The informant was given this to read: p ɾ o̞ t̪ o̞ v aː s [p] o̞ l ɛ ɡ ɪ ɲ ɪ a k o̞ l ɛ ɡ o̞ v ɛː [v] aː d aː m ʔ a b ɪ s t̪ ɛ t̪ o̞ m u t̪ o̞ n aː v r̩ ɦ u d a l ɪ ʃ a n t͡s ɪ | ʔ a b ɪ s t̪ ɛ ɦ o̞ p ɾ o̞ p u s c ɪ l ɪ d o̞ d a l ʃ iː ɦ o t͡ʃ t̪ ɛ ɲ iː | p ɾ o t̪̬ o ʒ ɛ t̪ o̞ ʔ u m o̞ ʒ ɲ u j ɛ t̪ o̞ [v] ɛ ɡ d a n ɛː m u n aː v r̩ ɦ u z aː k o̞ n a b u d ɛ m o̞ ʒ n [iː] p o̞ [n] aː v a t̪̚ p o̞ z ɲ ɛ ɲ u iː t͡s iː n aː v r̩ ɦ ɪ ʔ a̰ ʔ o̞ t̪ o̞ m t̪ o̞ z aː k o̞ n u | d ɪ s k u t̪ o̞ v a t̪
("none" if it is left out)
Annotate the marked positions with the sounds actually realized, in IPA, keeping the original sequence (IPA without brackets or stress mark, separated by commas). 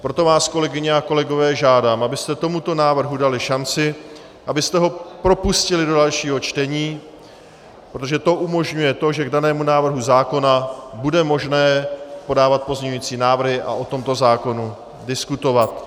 k, ʒ, ʒ, ɛː, d